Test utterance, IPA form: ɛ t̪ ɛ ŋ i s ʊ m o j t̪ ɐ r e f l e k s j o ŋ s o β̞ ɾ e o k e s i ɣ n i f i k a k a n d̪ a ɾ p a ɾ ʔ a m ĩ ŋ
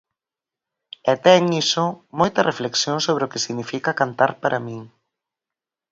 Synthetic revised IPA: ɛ t̪ ɛ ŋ i s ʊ m o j t̪ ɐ r e f l e k s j o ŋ s o β̞ ɾ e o k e s i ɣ n i f i k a k a n t̪ a ɾ p a ɾ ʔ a m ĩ ŋ

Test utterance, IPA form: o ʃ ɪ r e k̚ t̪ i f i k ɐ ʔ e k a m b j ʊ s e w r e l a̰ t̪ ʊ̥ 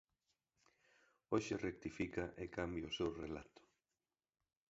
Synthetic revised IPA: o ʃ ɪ r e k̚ t̪ i f i k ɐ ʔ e k a m b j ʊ s e w r e l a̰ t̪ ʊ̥

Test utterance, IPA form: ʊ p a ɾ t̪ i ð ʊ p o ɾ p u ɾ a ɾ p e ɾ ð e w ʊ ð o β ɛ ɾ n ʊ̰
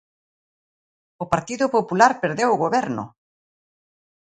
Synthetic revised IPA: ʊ p a ɾ t̪ i ð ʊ p o p u l a ɾ p e ɾ ð e w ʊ ɣ o β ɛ ɾ n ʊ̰

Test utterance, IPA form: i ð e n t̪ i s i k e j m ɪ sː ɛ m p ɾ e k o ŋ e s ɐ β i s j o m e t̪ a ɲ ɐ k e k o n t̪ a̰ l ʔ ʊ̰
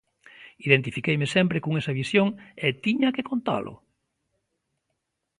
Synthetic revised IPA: i ð e n t̪ i f i k e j m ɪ s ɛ m p ɾ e k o ŋ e s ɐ β i s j o ŋ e t̪ i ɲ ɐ k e k o n t̪ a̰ l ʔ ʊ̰

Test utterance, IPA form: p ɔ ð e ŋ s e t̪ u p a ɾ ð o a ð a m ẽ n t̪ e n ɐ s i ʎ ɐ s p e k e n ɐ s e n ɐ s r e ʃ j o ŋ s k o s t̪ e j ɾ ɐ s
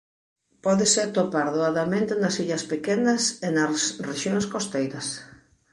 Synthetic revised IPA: p ɔ ð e s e t̪ o p a ɾ ð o a ð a m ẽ n t̪ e n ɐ s i ʎ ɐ s p e k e n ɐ s e n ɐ s r e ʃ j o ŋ s k o s t̪ e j ɾ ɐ s

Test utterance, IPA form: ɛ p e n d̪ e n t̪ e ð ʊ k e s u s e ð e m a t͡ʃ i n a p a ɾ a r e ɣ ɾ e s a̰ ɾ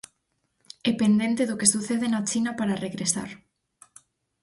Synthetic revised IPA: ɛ p e n d̪ e n t̪ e ð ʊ k e s u θ e ð e n a t͡ʃ i n a p a ɾ a r e ɣ ɾ e s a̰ ɾ

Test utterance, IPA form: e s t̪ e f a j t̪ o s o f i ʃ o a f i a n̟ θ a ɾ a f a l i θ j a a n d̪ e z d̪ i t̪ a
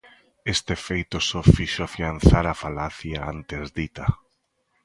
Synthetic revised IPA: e s t̪ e f e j t̪ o s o f i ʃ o a f i a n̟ θ a ɾ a f a l a θ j a a n t̪ e z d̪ i t̪ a

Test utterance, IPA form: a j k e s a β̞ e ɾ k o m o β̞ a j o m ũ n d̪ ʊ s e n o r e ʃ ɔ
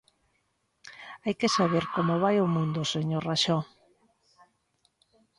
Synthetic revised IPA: a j k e s a β̞ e ɾ k o m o β̞ a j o m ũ n d̪ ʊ s e ɲ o r a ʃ ɔ

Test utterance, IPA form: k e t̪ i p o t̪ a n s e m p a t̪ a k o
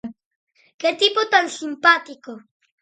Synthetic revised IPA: k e t̪ i p o t̪ a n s i m p a t̪ i k o

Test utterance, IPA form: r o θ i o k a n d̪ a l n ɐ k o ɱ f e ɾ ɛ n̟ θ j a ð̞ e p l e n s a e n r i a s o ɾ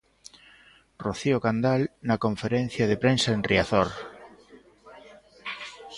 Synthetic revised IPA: r o θ i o k a n d̪ a l n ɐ k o ɱ f e ɾ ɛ n̟ θ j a ð̞ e p ɾ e n s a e n r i a θ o ɾ

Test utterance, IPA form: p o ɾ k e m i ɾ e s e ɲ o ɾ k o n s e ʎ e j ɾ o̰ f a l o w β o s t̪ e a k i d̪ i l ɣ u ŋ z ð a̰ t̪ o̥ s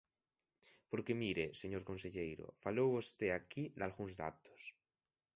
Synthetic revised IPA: p o ɾ k e m i ɾ e s e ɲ o ɾ k o n s e ʎ e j ɾ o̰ f a l o w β o s t̪ e a k i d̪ a l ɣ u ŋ z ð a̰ t̪ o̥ s

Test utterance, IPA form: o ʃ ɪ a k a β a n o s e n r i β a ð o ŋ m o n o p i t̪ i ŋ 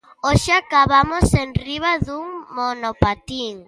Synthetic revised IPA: o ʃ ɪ a k a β a m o s e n r i β a ð u ŋ m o n o p a t̪ i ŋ

